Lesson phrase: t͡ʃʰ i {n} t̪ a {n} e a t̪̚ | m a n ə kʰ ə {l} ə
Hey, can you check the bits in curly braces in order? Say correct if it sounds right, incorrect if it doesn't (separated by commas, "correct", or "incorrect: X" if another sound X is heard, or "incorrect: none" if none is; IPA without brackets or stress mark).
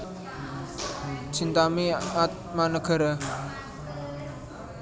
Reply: correct, incorrect: m, incorrect: ɾ